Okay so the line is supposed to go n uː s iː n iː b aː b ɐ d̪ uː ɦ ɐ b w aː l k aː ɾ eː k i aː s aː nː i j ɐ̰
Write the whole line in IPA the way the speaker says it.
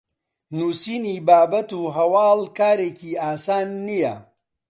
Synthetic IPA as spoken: n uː s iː n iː b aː b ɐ t̪ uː ɦ ɐ w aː l k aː ɾ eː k i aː s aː nː i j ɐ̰